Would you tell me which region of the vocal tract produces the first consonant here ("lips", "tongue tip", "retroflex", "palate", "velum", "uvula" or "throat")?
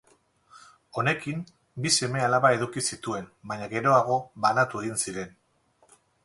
tongue tip